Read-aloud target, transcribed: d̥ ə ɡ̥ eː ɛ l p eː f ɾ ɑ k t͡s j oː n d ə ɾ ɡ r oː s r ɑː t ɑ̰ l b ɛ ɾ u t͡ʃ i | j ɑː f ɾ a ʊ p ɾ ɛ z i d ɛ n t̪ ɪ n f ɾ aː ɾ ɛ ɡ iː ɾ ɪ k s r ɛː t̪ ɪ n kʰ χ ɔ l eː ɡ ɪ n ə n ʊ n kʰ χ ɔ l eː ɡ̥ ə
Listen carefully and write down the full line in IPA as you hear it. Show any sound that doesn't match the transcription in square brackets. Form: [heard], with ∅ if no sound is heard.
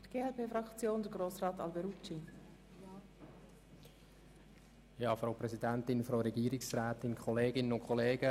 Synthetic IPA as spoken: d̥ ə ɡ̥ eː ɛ l p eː f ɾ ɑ k t͡s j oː n d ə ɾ ɡ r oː s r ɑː t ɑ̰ l b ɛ ɾ u t͡ʃ i | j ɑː f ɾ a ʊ p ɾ ɛ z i d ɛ n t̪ ɪ n f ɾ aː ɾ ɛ ɡ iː ɾ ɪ k s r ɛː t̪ ɪ n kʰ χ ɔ l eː ɡ ɪ n ə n ʊ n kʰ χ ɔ l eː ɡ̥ ə